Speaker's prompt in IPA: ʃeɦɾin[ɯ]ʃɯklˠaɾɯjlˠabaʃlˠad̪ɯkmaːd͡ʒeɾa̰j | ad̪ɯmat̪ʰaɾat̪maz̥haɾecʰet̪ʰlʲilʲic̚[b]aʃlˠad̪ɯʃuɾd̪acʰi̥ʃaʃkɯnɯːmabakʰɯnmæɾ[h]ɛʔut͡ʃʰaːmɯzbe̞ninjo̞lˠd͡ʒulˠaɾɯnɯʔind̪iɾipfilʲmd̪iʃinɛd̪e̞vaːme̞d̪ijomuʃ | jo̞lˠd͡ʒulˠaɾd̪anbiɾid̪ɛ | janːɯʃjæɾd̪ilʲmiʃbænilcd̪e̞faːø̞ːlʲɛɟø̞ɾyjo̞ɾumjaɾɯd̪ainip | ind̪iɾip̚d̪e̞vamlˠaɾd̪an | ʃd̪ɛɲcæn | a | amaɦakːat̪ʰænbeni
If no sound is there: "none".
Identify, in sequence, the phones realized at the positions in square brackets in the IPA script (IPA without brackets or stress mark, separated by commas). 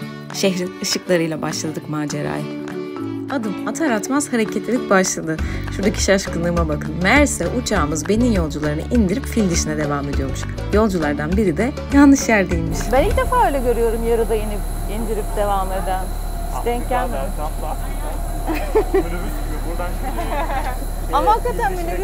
ɯ, b, s